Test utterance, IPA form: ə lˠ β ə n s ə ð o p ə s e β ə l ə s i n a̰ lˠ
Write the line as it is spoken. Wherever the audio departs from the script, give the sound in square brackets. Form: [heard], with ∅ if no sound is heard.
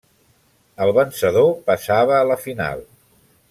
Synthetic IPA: ə lˠ β ə n s ə ð o p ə s [a] β [əː] l ə [f] i n a̰ lˠ